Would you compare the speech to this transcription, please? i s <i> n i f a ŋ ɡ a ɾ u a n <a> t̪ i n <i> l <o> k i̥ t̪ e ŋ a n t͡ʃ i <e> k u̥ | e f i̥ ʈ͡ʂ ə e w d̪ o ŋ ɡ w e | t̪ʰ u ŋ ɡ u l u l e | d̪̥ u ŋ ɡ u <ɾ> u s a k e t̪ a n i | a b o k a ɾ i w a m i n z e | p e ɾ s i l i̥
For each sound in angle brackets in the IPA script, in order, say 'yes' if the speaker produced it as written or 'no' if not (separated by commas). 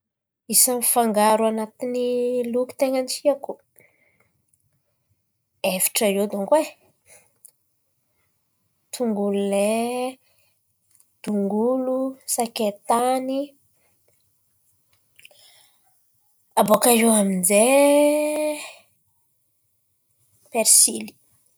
no, yes, yes, no, no, no